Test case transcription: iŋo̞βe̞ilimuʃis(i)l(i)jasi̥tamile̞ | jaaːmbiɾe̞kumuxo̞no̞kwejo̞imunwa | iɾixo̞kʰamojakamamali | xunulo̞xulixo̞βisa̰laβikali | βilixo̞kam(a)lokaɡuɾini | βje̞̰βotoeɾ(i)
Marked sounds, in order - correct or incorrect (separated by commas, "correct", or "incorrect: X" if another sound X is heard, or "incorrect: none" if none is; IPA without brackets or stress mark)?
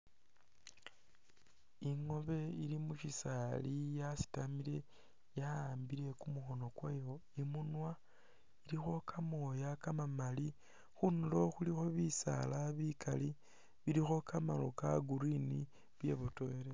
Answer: incorrect: a, correct, correct, incorrect: e